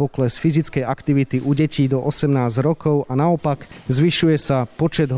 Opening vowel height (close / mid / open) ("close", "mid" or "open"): mid